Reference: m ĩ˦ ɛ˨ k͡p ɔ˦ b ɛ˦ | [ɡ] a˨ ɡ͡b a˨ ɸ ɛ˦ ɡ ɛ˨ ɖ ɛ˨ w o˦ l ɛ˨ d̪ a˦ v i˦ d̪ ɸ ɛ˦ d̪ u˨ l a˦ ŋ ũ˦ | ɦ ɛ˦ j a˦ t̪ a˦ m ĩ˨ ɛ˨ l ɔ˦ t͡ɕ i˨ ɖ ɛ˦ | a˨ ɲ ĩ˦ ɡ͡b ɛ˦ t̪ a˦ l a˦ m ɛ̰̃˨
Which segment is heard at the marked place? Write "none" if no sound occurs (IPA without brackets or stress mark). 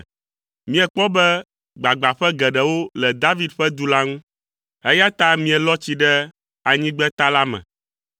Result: ɡ͡b